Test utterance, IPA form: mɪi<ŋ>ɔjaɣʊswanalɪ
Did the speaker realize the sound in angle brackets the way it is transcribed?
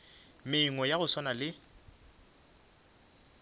yes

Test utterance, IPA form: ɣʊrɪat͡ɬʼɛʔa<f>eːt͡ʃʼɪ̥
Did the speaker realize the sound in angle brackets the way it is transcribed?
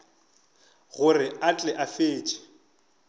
yes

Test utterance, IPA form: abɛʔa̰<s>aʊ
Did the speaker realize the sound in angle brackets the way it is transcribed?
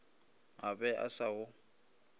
yes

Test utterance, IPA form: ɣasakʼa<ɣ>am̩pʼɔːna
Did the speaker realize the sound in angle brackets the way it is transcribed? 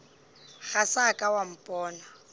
no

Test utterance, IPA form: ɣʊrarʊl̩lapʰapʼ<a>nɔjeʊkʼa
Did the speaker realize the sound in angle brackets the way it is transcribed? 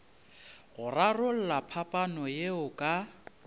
yes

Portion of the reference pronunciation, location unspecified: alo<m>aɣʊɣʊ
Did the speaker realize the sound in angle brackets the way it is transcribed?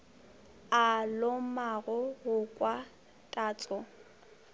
yes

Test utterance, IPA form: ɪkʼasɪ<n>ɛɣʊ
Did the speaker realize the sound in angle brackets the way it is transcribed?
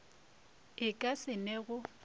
yes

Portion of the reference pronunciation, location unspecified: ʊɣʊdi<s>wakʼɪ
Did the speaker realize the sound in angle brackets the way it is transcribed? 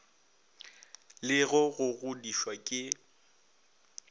no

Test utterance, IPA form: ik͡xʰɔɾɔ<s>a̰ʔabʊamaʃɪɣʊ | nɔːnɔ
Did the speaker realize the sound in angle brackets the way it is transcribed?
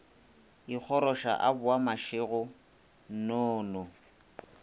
no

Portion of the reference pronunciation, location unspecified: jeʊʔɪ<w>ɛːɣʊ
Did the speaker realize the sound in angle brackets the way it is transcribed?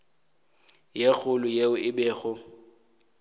no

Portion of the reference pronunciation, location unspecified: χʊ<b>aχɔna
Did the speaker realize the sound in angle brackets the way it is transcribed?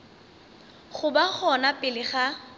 yes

